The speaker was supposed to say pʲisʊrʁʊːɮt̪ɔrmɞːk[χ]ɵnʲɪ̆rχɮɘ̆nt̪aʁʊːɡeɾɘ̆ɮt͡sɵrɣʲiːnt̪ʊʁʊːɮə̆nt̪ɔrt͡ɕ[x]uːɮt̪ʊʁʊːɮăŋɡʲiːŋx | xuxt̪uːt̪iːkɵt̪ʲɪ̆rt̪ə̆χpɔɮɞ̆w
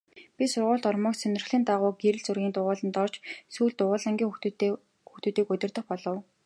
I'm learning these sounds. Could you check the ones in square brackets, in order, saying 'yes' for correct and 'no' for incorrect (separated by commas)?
no, no